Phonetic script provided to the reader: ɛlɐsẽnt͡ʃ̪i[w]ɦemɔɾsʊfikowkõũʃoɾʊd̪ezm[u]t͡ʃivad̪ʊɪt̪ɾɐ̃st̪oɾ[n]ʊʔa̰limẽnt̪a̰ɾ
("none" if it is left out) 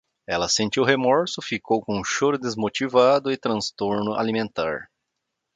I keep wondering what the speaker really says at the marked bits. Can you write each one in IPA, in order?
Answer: w, o, n

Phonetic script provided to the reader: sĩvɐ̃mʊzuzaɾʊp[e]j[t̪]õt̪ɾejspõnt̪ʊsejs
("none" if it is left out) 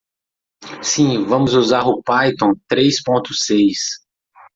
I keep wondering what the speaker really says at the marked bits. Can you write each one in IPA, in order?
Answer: a, t̪

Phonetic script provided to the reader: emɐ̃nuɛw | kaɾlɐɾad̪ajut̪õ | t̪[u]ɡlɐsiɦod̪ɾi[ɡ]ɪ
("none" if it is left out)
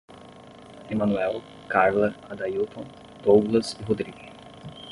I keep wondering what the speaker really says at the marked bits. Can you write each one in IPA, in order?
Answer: o, ɡ

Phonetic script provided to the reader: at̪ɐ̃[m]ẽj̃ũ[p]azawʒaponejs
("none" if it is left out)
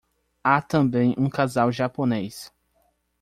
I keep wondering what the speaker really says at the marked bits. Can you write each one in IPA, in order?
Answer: b, k

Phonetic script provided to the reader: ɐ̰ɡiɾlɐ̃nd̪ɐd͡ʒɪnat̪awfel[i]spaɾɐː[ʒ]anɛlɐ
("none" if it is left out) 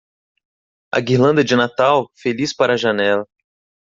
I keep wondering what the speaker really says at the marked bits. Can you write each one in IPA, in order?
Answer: i, ʒ

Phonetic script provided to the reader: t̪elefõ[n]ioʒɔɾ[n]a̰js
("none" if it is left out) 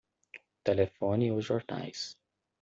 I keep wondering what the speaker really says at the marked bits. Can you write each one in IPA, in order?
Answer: n, n

